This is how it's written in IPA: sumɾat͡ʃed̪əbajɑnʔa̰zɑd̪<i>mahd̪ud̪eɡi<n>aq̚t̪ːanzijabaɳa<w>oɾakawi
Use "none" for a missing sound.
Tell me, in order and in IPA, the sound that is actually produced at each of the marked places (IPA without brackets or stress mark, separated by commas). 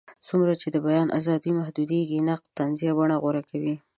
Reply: i, n, ɣ